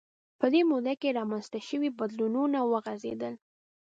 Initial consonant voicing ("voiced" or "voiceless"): voiceless